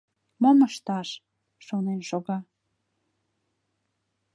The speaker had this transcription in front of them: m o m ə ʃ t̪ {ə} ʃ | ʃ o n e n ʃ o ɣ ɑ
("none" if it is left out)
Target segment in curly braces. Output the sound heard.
ɑ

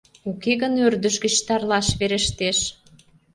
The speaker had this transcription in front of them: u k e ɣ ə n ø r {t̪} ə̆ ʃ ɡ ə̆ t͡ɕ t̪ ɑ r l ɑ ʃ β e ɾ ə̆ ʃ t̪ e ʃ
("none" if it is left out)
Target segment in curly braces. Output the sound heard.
d̪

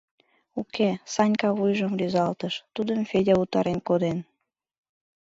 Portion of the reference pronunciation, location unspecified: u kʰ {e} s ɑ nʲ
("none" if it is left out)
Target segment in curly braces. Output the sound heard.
e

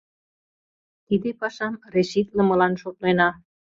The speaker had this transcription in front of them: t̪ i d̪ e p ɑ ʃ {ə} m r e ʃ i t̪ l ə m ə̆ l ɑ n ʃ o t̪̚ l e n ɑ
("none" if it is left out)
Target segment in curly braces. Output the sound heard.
ɑ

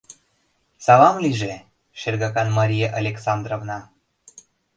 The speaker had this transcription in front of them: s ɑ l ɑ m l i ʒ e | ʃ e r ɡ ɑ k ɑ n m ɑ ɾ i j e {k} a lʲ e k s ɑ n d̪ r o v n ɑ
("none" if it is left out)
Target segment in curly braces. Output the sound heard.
ʔ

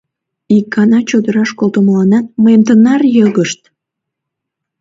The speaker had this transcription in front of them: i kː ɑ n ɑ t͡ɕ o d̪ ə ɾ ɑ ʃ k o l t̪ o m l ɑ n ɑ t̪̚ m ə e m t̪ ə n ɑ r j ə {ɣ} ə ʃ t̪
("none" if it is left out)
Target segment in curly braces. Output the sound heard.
ɣ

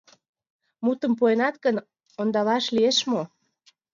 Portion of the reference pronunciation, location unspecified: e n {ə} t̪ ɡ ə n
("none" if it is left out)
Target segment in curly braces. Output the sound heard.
ɑ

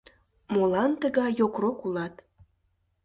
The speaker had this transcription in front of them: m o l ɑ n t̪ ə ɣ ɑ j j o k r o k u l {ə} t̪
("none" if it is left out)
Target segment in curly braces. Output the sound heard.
ɑ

